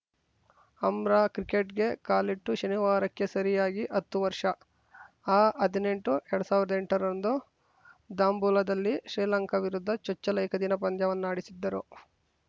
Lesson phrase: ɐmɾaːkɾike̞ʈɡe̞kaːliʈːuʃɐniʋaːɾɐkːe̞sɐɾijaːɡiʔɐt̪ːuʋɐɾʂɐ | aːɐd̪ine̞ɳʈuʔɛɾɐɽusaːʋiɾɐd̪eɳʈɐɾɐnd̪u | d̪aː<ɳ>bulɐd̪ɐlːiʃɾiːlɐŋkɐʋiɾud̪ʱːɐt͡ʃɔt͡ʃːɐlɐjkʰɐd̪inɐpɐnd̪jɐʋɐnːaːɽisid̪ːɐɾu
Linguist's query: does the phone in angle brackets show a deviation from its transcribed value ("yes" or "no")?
yes